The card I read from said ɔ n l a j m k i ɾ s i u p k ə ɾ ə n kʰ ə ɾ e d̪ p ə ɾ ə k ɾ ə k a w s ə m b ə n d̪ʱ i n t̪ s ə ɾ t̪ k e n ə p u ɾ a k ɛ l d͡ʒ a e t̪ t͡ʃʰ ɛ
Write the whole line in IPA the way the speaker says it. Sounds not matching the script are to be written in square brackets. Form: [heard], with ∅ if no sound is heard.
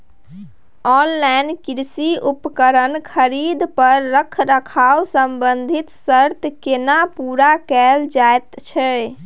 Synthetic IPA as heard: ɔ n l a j [n] k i ɾ s i u p k ə ɾ ə n kʰ ə ɾ [i] d̪ p ə [ɾː] ə [kʰ] ɾ ə [kʰ] a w s ə m b ə n d̪ʱ i [∅] t̪ s ə ɾ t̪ k e n [a] p u ɾ a k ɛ l d͡ʒ a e t̪ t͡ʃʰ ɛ